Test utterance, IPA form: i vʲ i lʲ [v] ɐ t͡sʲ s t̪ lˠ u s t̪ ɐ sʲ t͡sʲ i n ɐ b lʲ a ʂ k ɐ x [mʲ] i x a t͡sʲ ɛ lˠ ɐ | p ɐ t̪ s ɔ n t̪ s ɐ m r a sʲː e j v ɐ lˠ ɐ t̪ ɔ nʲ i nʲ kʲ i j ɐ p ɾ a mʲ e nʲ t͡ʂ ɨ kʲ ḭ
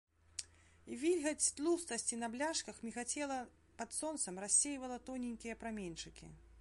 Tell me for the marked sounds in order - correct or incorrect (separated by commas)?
incorrect, correct